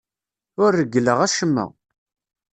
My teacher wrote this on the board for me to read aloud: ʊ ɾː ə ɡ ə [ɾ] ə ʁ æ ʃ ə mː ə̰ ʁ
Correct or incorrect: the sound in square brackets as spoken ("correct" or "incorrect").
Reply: incorrect